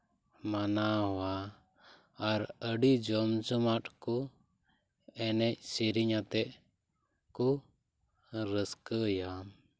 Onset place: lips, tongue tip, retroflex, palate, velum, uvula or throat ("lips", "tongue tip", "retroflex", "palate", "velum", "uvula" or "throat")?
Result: lips